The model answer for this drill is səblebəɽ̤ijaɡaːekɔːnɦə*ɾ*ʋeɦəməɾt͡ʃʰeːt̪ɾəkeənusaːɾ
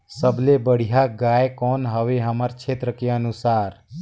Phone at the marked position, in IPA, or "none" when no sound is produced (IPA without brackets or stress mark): none